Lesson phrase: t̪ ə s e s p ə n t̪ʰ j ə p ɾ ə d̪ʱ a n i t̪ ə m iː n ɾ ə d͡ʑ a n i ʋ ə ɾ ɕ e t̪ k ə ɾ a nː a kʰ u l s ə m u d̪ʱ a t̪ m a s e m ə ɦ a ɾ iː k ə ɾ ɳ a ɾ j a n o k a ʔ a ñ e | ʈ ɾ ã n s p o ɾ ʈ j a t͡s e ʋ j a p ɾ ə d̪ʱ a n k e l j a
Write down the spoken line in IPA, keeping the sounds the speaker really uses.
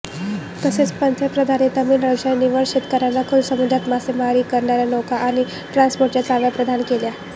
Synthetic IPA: t̪ ə s e t͡s p ə n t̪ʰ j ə p ɾ ə d̪ʱ a n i t̪ ə m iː n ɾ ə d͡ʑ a n i ʋ ə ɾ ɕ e t̪ k ə ɾ a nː a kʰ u l s ə m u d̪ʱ a t̪ m a s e m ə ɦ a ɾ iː k ə ɾ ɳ a ɾ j a n o k a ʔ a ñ i | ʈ ɾ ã n s p o ɾ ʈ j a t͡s a ʋ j a p ɾ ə d̪ʱ a n k e l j a